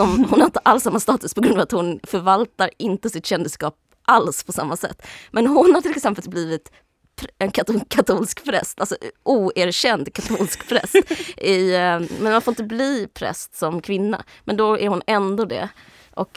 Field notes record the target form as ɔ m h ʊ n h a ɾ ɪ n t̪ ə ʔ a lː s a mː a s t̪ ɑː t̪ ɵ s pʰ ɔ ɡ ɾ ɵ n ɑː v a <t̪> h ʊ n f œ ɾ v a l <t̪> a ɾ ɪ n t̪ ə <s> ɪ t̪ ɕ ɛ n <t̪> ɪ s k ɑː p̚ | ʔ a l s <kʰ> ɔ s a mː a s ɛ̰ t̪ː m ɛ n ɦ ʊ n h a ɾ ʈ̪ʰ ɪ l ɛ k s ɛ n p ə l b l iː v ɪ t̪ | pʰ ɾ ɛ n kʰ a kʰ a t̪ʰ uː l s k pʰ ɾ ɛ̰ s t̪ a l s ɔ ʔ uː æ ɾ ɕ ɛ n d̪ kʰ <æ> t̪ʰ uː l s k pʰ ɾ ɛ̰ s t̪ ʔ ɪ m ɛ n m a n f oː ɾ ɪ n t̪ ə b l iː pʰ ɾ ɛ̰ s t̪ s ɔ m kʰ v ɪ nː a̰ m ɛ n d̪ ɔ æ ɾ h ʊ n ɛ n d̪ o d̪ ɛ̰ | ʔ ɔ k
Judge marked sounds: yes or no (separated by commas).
yes, yes, yes, no, no, no